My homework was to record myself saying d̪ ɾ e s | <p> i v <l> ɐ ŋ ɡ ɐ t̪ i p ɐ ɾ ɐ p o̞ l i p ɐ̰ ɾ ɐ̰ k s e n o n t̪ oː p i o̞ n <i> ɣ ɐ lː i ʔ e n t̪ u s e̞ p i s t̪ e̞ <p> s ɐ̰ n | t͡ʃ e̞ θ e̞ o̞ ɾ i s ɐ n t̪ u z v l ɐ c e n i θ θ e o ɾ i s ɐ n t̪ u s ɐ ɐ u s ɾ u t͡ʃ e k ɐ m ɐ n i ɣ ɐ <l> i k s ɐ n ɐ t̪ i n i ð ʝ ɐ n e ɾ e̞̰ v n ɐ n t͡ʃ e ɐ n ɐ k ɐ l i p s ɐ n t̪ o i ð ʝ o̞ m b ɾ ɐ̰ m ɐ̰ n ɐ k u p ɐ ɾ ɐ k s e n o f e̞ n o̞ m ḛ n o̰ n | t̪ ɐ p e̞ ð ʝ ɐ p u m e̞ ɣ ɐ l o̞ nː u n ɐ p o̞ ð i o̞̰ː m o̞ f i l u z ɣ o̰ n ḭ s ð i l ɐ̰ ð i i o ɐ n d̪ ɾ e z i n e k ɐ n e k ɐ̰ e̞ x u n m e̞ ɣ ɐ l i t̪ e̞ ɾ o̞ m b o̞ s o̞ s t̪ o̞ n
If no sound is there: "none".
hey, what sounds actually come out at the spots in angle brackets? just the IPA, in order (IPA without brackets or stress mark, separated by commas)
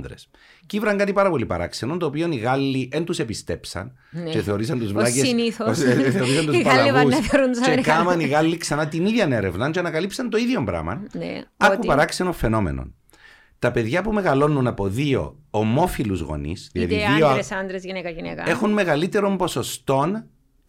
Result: c, ɾ, i, p, lː